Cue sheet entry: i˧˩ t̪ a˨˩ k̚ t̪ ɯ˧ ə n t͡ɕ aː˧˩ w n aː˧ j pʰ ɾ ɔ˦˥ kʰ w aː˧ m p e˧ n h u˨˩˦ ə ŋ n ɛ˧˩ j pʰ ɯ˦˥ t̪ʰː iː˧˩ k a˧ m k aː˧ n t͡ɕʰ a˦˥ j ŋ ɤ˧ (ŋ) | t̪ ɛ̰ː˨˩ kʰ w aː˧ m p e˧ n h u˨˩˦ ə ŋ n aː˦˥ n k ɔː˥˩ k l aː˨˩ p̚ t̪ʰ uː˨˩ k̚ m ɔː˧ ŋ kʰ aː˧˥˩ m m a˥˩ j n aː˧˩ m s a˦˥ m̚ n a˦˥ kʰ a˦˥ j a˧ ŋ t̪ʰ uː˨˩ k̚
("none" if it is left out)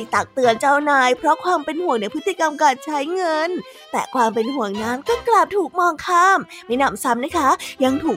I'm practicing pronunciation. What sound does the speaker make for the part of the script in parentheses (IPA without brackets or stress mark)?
n